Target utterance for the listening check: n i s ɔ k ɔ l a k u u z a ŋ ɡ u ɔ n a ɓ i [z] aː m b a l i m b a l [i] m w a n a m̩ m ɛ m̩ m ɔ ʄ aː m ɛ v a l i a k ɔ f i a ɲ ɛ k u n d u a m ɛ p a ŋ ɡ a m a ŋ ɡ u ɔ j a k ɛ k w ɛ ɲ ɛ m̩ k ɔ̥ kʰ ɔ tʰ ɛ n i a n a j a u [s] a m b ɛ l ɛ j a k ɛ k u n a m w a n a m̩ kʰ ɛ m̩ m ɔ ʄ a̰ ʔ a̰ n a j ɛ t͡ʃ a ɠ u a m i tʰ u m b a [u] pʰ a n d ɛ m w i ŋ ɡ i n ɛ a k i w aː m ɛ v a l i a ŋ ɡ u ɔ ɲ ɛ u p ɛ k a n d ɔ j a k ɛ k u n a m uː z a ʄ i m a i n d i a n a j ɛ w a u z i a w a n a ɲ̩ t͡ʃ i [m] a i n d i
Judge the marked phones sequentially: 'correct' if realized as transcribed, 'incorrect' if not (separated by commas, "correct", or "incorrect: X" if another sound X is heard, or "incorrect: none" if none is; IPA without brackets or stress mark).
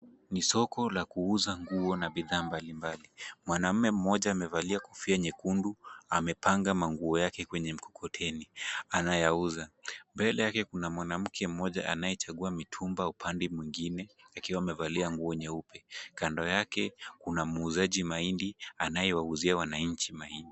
incorrect: ð, correct, incorrect: z, correct, correct